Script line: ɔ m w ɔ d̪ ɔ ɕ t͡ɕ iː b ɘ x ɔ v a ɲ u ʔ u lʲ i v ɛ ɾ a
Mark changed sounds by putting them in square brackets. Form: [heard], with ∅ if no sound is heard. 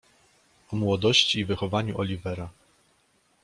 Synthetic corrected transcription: ɔ m w ɔ d̪ ɔ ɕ t͡ɕ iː [v] ɘ x ɔ v a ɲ u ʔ [ɔ] lʲ i v ɛ ɾ a